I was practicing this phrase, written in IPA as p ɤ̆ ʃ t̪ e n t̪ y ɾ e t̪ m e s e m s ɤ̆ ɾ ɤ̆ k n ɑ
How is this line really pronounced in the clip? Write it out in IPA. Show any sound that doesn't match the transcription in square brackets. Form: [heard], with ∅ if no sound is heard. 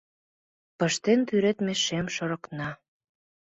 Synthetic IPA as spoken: p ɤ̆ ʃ t̪ e n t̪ y ɾ e t̪ m e [ʃ] e m [ʃ] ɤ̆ ɾ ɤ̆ k n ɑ